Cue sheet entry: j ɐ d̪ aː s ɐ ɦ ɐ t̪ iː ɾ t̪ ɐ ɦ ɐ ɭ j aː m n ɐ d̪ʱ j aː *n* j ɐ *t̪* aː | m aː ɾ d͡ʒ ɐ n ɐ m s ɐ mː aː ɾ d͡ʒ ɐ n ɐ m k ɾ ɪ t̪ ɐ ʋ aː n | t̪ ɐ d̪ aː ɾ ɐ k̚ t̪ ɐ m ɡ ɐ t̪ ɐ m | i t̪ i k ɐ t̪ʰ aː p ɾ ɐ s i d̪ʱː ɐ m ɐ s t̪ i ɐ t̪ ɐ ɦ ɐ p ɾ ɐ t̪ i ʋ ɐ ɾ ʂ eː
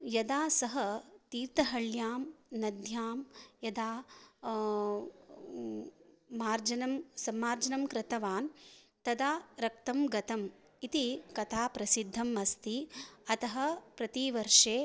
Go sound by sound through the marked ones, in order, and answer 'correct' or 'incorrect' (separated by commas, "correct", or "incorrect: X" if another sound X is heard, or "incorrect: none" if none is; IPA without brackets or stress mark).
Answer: incorrect: m, incorrect: d̪